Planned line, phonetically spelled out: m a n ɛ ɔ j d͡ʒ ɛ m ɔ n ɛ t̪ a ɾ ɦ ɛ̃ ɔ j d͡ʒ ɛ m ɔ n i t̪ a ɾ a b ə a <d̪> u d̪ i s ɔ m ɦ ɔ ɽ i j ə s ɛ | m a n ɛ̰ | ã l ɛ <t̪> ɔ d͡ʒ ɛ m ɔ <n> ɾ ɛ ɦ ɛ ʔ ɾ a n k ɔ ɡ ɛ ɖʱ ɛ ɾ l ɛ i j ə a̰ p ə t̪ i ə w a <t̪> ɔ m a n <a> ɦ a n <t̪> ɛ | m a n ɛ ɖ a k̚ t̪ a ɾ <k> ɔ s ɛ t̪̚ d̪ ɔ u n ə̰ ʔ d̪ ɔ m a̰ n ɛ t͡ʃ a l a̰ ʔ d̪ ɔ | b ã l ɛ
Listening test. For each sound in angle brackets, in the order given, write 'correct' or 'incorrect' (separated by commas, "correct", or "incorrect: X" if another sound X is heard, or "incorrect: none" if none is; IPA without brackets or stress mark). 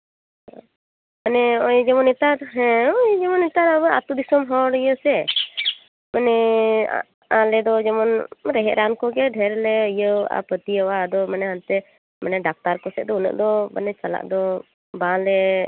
incorrect: t̪, incorrect: d̪, correct, incorrect: d̪, incorrect: ɛ, correct, correct